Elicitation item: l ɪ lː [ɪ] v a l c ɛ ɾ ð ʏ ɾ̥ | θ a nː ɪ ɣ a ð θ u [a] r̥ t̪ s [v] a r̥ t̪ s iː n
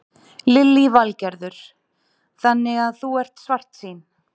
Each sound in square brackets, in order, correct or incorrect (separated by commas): incorrect, incorrect, correct